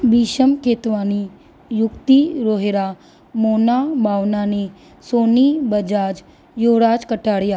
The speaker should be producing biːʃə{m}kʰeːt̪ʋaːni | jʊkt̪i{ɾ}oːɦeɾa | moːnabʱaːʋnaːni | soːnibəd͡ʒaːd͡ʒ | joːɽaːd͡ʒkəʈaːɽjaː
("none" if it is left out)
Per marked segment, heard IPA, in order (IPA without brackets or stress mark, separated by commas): m, ɾ